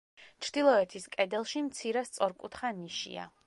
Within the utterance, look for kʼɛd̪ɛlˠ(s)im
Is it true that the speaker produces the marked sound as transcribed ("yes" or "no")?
no